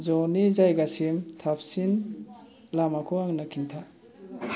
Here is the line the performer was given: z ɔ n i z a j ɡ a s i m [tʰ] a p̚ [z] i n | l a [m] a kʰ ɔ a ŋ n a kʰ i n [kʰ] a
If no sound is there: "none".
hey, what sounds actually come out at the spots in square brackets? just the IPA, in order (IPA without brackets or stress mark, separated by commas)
tʰ, s, m, tʰ